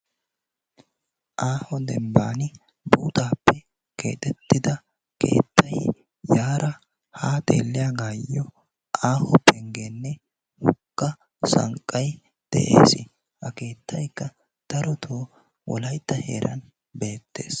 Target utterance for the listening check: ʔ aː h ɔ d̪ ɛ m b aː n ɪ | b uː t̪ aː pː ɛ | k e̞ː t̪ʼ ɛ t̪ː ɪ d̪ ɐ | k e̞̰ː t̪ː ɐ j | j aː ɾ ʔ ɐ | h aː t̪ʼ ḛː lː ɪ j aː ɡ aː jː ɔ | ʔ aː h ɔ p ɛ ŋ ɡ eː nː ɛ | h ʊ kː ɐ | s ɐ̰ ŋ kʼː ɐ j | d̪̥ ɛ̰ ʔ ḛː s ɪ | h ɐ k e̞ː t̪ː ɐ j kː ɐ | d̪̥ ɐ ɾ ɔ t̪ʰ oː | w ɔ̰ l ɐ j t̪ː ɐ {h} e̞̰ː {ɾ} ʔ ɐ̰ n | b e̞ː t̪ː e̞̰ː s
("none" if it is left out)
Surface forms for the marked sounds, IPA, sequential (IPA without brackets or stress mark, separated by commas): h, ɾ